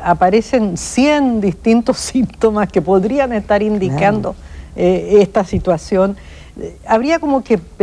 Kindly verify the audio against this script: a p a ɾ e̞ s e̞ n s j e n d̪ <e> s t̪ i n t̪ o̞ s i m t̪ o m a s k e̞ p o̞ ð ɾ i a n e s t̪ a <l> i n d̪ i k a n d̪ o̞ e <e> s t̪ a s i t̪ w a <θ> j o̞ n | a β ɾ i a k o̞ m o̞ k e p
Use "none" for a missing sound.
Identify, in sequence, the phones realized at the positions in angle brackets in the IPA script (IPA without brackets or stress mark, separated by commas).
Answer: i, ɾ, e, s